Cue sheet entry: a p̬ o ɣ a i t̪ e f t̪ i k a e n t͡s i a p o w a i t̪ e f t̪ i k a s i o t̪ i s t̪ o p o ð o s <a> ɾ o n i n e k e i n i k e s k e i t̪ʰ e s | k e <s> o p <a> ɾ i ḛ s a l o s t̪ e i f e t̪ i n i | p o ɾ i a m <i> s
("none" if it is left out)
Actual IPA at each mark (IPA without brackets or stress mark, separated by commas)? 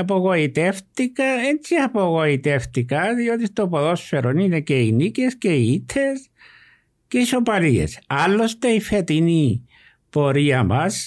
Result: e, ʃ, a, a